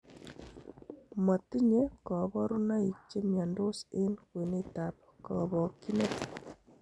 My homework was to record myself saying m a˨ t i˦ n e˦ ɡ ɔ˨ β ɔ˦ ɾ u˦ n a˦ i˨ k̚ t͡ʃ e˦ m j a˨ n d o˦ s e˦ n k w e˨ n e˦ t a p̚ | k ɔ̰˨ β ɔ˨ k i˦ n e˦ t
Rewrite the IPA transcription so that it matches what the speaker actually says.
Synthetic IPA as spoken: m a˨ t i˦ ɲ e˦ k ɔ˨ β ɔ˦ ɾ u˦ n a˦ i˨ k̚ t͡ʃ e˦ m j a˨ n d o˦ s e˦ n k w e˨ n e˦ t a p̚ | k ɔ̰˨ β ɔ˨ k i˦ n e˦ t